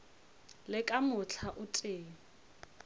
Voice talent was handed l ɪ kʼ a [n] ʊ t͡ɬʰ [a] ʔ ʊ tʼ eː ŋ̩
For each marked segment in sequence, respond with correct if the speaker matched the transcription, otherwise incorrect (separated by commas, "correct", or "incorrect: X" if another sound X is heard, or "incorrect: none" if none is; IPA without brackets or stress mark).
incorrect: m, correct